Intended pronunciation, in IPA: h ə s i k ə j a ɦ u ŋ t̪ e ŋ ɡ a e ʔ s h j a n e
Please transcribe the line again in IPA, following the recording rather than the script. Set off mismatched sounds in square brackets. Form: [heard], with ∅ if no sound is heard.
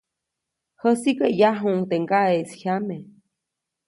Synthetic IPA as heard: h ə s i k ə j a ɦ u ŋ t̪ e ŋ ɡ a e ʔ s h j a [m] e